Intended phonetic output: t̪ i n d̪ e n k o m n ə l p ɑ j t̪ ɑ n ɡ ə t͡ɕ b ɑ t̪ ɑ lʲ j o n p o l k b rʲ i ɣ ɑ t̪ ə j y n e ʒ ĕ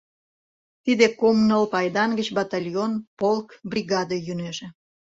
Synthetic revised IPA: t̪ i d̪ e k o m n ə l p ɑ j d̪ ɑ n ɡ ə t͡ɕ b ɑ t̪ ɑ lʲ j o n p o l k b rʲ i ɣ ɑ d̪ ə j y n e ʒ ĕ